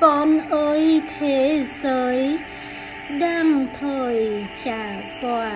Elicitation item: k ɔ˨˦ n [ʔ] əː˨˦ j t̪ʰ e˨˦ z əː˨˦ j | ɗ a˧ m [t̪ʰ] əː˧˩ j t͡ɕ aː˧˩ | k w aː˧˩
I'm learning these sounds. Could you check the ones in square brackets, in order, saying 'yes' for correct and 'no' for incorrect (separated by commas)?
yes, yes